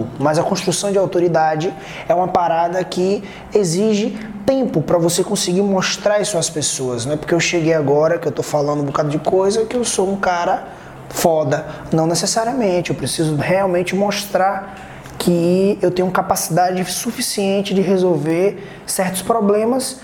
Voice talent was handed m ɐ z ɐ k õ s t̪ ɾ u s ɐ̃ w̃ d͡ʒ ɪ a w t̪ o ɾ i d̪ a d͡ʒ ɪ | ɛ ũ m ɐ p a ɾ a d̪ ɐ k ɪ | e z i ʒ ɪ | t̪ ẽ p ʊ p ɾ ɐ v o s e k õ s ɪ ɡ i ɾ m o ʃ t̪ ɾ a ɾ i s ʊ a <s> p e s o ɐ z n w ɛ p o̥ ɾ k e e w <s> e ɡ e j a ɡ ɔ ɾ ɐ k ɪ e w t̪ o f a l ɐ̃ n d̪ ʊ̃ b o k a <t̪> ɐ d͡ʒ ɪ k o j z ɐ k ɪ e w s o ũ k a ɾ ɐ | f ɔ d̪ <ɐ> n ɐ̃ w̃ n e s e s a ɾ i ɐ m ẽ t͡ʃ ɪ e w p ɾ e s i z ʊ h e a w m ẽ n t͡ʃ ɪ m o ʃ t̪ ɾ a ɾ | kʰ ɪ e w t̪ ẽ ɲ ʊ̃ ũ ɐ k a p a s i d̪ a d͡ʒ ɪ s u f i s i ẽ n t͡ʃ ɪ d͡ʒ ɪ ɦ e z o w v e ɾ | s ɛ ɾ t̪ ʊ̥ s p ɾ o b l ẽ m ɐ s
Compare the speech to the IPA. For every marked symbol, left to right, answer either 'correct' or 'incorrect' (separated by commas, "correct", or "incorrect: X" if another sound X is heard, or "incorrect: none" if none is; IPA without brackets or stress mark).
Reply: correct, incorrect: ʃ, incorrect: d̪, correct